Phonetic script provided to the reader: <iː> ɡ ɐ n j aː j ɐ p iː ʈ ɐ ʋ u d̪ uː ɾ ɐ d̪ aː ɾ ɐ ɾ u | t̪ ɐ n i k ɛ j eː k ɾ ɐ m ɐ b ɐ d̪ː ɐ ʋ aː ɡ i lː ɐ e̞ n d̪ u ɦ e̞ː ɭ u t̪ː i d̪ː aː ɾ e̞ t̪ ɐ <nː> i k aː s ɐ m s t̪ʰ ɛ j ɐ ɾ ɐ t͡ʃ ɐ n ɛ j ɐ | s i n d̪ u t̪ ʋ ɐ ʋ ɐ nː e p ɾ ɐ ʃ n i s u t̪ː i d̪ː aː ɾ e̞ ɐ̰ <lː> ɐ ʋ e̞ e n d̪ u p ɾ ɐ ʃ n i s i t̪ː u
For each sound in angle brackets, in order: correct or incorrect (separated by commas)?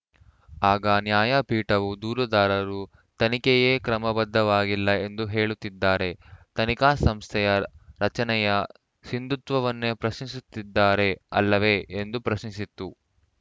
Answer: incorrect, incorrect, correct